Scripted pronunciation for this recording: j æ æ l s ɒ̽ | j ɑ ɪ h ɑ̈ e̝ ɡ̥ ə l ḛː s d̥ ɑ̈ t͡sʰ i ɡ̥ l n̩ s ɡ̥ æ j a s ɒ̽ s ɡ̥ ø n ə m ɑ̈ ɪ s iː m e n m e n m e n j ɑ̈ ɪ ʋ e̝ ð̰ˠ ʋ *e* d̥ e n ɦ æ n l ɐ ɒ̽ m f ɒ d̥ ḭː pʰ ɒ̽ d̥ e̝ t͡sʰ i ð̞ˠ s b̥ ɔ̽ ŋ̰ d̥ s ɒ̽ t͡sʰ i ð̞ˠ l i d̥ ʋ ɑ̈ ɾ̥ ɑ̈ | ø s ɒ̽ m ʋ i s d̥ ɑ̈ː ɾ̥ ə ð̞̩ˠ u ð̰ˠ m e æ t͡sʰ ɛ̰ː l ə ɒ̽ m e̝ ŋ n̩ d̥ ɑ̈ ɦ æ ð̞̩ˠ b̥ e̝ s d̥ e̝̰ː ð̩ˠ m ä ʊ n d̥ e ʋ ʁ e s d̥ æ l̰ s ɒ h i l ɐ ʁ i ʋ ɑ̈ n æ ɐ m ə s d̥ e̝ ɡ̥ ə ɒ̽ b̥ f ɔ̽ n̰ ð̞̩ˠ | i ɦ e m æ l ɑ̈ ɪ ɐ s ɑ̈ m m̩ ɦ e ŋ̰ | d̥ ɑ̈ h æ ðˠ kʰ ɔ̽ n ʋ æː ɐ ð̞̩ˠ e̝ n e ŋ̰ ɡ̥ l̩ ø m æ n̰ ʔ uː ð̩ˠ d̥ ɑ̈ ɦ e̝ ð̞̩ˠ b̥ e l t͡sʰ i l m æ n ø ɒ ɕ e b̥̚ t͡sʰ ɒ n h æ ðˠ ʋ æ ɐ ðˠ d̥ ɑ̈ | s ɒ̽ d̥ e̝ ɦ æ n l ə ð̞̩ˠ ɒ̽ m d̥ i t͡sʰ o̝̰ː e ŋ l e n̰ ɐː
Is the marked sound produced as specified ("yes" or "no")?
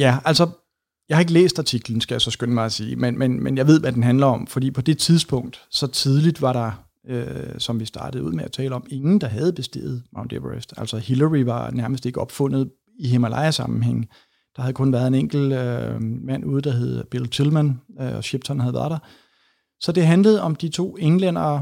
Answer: no